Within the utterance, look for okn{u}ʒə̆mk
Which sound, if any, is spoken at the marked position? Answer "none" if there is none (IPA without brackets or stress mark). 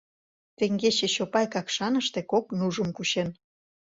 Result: u